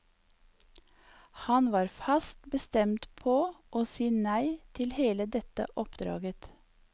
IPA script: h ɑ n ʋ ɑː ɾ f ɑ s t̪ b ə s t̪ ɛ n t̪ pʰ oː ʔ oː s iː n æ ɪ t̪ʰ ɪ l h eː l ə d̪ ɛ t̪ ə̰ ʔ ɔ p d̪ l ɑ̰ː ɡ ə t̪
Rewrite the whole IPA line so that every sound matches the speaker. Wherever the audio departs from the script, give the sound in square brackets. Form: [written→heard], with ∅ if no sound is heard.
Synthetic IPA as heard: h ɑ n ʋ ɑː ɾ f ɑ s t̪ b ə s t̪ ɛ [n→m] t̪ pʰ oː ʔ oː s iː n æ ɪ t̪ʰ ɪ l h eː l ə d̪ ɛ t̪ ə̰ ʔ ɔ p d̪ [l→ɾ] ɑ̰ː ɡ ə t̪

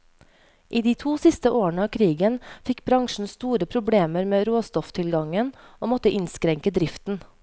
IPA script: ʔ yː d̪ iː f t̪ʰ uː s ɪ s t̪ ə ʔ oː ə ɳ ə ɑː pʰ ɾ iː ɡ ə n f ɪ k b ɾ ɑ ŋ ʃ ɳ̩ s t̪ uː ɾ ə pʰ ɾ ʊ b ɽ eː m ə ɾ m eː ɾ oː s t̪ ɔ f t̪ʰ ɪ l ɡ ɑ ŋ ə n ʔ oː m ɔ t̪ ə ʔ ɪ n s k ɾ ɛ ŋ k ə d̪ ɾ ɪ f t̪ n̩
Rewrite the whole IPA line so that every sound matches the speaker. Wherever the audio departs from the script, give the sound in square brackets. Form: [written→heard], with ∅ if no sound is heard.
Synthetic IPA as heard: ʔ [yː→iː] d̪ iː [f→∅] t̪ʰ uː s ɪ s t̪ ə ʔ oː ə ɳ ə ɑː [pʰ→kʰ] ɾ iː ɡ ə n f ɪ k b ɾ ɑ ŋ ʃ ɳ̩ s t̪ uː ɾ ə pʰ ɾ ʊ b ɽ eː m ə ɾ m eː ɾ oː s t̪ ɔ f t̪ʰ ɪ l ɡ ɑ ŋ ə n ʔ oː m ɔ t̪ ə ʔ ɪ n s k ɾ ɛ ŋ k ə d̪ ɾ ɪ f t̪ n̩

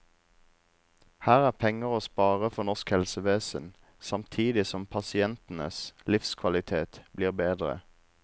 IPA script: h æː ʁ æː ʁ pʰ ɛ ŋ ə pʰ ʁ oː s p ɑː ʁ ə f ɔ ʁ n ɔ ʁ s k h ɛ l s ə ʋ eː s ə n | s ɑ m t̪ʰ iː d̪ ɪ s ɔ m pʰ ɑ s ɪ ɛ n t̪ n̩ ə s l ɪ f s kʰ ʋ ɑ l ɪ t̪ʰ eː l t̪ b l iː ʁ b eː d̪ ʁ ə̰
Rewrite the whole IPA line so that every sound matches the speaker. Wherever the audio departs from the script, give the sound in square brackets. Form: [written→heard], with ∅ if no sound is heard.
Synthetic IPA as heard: h æː ʁ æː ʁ pʰ ɛ ŋ ə [pʰ→∅] ʁ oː s p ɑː ʁ ə f ɔ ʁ n ɔ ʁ s k h ɛ l s ə ʋ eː s ə n | s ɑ m t̪ʰ iː d̪ ɪ s ɔ m pʰ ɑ s ɪ ɛ n t̪ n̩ ə s l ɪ f s kʰ ʋ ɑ l ɪ t̪ʰ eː [l→∅] t̪ b l iː ʁ b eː d̪ ʁ ə̰

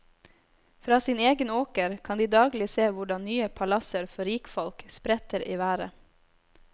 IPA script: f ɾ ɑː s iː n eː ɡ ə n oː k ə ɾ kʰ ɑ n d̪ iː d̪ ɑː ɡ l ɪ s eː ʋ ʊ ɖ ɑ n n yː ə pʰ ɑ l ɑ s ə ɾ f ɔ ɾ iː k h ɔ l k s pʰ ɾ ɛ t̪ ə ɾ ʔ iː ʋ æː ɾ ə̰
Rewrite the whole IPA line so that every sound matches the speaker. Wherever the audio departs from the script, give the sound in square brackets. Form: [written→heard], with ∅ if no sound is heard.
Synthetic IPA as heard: f ɾ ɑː s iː n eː ɡ ə n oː k ə ɾ kʰ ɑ n d̪ iː d̪ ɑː ɡ l ɪ s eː ʋ ʊ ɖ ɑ n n yː ə pʰ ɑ l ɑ s ə ɾ f ɔ ɾ iː k [h→f] ɔ l k s [pʰ→p] ɾ ɛ t̪ ə ɾ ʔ iː ʋ æː ɾ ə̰

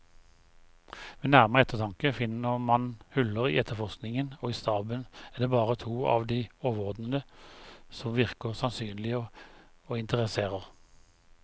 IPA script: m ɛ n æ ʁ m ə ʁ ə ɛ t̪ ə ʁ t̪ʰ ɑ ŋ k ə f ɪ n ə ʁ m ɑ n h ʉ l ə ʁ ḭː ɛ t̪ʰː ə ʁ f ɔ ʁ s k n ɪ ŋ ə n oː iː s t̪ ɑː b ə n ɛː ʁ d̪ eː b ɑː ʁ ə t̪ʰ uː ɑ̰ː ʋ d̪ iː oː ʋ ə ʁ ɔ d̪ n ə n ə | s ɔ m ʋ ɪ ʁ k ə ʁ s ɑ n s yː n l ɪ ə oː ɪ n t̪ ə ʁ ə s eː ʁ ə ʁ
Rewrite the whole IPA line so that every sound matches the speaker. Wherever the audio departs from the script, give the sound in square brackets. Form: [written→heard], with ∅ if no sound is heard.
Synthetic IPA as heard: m ɛ n æ ʁ m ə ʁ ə ɛ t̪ ə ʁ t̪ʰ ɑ ŋ k ə f ɪ n ə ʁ m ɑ n h ʉ l ə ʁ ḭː ɛ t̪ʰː ə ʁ f ɔ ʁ s k n ɪ ŋ ə n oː iː s t̪ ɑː b ə n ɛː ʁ d̪ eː b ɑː ʁ ə t̪ʰ uː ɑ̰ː ʋ d̪ iː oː ʋ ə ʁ ɔ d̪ n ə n ə | s ɔ m ʋ ɪ ʁ k ə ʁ s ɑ n s yː n l ɪ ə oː ɪ n t̪ ə ʁ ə s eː ʁ ə ʁ

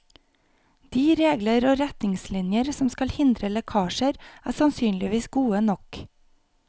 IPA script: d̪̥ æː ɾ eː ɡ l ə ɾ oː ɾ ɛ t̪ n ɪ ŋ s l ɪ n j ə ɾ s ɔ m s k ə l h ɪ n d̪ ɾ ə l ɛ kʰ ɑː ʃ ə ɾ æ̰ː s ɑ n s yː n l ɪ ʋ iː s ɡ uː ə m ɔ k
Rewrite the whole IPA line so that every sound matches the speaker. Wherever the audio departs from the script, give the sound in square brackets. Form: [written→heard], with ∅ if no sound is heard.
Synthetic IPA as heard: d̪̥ [æː→iː] ɾ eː ɡ l ə ɾ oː ɾ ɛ t̪ n ɪ ŋ s l ɪ n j ə ɾ s ɔ m s k [ə→ɑ] l h ɪ n d̪ ɾ ə l ɛ kʰ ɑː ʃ ə ɾ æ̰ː s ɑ n s yː n l ɪ ʋ iː s ɡ uː ə [m→n] ɔ k

